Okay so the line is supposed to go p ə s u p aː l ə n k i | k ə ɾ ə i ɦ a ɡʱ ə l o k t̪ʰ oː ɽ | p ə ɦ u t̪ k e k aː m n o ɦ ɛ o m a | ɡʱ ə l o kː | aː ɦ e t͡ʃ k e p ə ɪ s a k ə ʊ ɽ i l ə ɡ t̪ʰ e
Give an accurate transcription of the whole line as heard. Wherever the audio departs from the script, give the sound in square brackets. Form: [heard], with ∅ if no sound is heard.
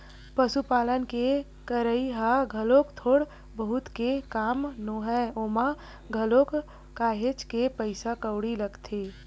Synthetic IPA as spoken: p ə s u p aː l ə n k [e] | k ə ɾ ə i ɦ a ɡʱ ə l o k t̪ʰ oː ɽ | [b] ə ɦ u t̪ k e k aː m n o ɦ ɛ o m a | ɡʱ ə l o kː | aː ɦ e t͡ʃ k e p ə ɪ s a k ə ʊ ɽ i l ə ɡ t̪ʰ e

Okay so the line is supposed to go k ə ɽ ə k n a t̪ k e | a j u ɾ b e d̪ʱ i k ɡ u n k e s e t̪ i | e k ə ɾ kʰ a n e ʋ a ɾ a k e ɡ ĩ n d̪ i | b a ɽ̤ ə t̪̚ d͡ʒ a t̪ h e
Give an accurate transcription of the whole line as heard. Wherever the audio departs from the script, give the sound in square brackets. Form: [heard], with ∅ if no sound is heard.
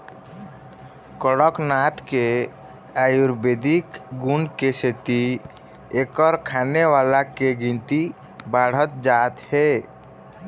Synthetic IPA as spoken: k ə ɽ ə k n a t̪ k e | a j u ɾ b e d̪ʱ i k ɡ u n k e s e t̪ i | e k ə ɾ kʰ a n e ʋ a [l] a k e ɡ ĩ n [t̪] i | b a ɽ̤ ə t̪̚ d͡ʒ a t̪ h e

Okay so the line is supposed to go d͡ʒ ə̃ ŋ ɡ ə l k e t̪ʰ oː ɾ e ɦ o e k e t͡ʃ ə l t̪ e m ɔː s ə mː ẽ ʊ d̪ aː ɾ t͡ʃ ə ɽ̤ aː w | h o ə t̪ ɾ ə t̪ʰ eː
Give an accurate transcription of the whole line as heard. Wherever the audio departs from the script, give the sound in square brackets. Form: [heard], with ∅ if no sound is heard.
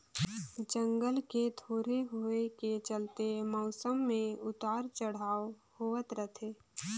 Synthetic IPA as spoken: d͡ʒ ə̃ ŋ ɡ ə l k e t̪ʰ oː ɾ e ɦ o e k e t͡ʃ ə l t̪ e m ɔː s ə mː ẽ ʊ [t̪] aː ɾ t͡ʃ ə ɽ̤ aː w | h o ə t̪ ɾ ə t̪ʰ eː

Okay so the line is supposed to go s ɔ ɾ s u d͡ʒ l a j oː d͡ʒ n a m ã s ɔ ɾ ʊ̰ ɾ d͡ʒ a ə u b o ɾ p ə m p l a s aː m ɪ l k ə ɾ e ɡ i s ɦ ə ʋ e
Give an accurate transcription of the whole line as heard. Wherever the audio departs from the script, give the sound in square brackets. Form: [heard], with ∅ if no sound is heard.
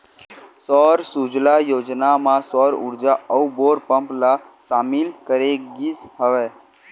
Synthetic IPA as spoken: s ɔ ɾ s u d͡ʒ l a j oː d͡ʒ n a m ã s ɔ ɾ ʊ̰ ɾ d͡ʒ a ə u b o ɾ p ə m p l a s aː m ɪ l k ə ɾ e ɡ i s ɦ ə ʋ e

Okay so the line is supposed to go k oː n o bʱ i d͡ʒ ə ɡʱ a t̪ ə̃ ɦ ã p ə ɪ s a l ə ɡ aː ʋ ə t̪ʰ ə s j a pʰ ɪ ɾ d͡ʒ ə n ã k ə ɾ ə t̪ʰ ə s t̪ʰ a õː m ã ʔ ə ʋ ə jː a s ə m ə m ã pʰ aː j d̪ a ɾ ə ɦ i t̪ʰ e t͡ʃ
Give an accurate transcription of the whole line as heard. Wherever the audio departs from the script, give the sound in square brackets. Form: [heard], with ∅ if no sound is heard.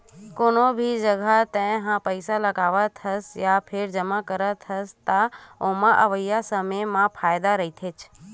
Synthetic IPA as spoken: k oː n o bʱ i d͡ʒ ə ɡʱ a t̪ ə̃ ɦ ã p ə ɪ s a l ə ɡ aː ʋ ə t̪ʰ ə s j a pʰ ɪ ɾ d͡ʒ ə [m] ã k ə ɾ ə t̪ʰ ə s [t̪] a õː m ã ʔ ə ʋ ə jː a s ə m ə m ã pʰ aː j d̪ a ɾ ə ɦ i t̪ʰ e t͡ʃ

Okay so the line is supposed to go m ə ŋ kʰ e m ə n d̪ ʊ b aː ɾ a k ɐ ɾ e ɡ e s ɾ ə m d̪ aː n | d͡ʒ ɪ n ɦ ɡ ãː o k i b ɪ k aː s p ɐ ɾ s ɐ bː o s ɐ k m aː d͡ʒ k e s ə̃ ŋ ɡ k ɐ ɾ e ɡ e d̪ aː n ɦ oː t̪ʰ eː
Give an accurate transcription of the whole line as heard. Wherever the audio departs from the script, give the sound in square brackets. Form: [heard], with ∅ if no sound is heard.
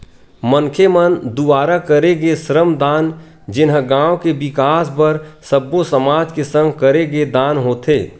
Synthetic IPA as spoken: m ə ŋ kʰ e m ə n d̪ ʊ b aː ɾ a k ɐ ɾ e ɡ e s ɾ ə m d̪ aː n | d͡ʒ ɪ n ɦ ɡ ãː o k [e] b ɪ k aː s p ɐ ɾ s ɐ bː o s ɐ [∅] m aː d͡ʒ k e s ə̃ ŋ ɡ k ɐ ɾ e ɡ e d̪ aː n ɦ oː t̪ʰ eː

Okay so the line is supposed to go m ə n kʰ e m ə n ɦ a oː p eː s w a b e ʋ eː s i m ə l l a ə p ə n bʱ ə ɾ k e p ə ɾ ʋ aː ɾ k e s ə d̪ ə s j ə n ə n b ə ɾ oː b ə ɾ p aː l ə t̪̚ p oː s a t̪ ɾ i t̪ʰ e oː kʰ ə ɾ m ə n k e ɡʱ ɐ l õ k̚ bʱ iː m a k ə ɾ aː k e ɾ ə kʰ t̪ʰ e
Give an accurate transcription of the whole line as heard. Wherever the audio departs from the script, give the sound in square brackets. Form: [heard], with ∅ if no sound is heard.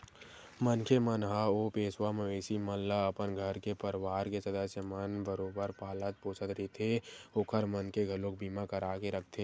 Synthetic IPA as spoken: m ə n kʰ e m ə n ɦ a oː p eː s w a [m] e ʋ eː s i m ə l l a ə p ə n [ɡʱ] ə ɾ k e p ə ɾ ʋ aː ɾ k e s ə d̪ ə s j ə [m] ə n b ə ɾ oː b ə ɾ p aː l ə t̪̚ p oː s [ə] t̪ ɾ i t̪ʰ e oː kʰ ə ɾ m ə n k e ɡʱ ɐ l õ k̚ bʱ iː m a k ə ɾ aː k e ɾ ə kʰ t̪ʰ e

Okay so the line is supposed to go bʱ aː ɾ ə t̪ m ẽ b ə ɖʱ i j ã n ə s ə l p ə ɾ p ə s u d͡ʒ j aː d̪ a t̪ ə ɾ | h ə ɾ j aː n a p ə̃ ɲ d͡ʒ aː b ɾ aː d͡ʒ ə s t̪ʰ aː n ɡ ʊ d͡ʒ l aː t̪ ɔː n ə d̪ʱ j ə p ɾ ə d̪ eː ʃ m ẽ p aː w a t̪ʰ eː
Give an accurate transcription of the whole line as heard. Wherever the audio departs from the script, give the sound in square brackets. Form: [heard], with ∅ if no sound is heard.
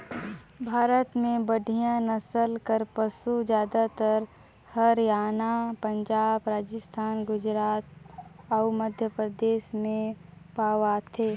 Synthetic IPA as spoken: bʱ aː ɾ ə t̪ m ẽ b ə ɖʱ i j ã n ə s ə l [k] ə ɾ p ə s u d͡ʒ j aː d̪ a t̪ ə ɾ | h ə ɾ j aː n a p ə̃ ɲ d͡ʒ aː b ɾ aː d͡ʒ ə s t̪ʰ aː n ɡ ʊ d͡ʒ [ɾ] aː t̪ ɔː [m] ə d̪ʱ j ə p ɾ ə d̪ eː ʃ m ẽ p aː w a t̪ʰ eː

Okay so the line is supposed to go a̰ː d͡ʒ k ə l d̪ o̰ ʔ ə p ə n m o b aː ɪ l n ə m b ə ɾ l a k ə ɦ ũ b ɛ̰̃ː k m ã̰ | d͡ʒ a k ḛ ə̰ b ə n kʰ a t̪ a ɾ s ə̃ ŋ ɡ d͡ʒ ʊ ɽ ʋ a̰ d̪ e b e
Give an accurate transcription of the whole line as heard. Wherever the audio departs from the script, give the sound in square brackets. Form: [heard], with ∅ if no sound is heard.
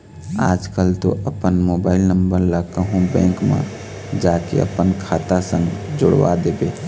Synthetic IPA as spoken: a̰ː d͡ʒ k ə l [t̪] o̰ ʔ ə p ə n m o b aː ɪ l n ə m b ə ɾ l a k ə ɦ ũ b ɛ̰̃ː k m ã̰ | d͡ʒ a k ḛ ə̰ [p] ə n kʰ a t̪ a [∅] s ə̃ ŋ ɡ d͡ʒ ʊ ɽ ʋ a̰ d̪ e b e

